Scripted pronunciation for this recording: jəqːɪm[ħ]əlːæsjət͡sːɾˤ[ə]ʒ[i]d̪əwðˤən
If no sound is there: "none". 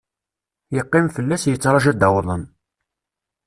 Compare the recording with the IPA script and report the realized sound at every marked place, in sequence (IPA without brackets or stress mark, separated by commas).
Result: f, ɑ, æ